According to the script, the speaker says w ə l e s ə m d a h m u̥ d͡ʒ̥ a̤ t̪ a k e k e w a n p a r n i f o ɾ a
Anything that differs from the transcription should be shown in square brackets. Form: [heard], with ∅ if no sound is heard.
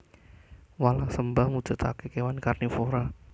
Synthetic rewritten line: w [a] l [a] s ə m [b] a h m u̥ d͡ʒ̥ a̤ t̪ a k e k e w a n [k] a r n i f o ɾ a